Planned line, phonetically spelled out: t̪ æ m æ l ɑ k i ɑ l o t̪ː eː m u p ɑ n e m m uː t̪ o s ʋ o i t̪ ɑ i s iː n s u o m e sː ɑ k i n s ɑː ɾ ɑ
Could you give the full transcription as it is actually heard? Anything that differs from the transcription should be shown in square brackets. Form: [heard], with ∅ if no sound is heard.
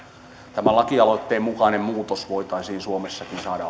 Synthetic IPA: t̪ æ m æ l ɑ k i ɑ l o t̪ː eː m u [k] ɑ n e m m uː t̪ o s ʋ o i t̪ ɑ i s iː n s u o m e sː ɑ k i n s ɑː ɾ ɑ